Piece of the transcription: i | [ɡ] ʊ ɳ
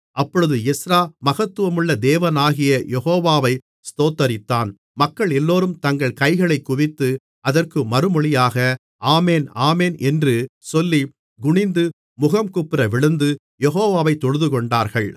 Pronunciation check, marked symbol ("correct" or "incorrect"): correct